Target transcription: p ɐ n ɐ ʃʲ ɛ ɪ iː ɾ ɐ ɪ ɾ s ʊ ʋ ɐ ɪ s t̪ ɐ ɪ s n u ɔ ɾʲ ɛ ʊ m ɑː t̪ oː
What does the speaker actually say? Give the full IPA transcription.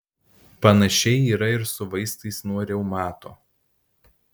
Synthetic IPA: p ɐ n ɐ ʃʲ ɛ ɪ iː ɾ ɐ ɪ ɾ s ʊ ʋ ɐ ɪ s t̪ ɐ ɪ s n u ɔ ɾʲ ɛ ʊ m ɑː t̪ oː